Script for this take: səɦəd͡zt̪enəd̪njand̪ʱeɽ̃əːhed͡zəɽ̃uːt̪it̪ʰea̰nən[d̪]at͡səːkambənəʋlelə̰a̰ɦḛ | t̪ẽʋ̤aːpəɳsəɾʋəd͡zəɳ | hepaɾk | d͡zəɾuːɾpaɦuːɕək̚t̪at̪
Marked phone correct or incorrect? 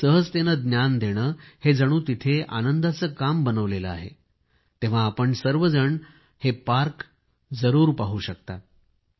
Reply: correct